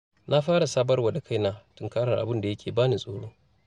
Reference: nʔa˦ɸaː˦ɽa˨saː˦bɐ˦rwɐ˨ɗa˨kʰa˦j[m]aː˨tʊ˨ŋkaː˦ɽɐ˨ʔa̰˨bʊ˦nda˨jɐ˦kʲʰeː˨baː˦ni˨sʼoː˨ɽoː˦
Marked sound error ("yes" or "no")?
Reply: yes